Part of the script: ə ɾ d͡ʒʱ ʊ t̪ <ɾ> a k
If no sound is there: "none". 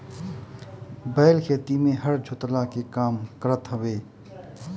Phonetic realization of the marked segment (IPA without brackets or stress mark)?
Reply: l